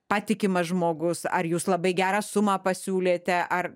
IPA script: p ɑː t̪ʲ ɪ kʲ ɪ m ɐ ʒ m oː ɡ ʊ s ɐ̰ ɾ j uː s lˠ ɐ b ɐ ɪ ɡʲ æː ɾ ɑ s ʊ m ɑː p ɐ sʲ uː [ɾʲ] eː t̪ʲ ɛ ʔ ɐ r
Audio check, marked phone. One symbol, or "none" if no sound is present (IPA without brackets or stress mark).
lʲ